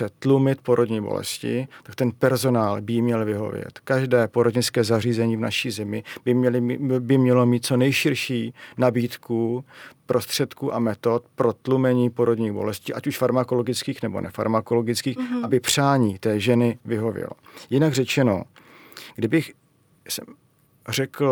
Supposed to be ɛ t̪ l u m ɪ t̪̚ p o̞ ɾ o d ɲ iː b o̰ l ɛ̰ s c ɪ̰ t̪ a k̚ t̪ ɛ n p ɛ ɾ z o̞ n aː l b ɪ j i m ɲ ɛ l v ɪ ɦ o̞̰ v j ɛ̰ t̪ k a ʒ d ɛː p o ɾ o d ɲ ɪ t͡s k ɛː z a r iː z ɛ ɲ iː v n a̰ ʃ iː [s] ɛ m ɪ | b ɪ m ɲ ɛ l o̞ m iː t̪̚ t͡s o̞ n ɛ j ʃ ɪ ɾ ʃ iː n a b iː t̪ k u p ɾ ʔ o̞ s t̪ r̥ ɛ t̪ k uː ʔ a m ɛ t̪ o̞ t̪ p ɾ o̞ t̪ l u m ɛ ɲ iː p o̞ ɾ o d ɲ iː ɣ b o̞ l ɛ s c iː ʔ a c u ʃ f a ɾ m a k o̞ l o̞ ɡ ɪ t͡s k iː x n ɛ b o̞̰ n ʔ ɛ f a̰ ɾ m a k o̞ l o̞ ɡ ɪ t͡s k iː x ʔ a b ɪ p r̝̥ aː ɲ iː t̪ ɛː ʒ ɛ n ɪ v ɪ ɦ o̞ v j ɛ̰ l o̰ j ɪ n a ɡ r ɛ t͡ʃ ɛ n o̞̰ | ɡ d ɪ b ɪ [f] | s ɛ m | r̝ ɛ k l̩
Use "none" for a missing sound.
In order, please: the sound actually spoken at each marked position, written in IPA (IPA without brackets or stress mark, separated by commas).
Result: z, x